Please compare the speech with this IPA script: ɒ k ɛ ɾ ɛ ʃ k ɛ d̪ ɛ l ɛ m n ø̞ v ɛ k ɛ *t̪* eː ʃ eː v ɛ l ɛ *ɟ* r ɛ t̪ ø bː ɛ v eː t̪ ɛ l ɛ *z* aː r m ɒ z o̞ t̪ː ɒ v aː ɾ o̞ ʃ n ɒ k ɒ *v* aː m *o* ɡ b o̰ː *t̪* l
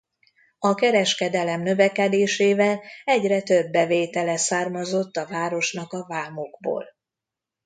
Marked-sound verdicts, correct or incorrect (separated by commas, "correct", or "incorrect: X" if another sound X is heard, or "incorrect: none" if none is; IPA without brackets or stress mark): incorrect: d̪, correct, incorrect: s, correct, correct, incorrect: none